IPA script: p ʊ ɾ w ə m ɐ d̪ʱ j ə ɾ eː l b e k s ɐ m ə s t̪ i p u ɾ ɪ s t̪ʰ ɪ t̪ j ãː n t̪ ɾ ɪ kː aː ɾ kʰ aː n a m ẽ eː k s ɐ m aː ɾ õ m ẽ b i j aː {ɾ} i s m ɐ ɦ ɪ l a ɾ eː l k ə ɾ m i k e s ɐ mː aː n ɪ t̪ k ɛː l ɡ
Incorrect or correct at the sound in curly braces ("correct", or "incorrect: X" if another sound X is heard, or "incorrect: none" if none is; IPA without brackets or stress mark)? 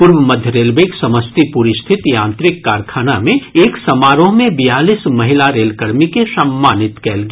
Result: incorrect: l